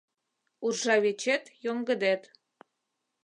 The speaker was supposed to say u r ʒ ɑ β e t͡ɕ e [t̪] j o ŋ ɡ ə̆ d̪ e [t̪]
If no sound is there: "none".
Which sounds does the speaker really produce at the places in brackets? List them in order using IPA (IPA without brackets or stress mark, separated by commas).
t̪, t̪